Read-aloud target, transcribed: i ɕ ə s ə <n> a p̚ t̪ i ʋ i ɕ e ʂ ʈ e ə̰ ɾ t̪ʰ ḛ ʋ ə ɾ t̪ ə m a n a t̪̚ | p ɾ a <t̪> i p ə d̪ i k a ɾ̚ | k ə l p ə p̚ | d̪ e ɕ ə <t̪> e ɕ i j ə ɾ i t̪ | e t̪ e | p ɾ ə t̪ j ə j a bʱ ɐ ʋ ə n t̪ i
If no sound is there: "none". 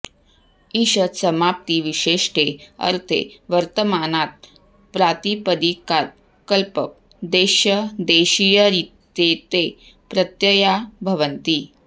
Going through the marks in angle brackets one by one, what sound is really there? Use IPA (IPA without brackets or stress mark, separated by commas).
m, t̪, d̪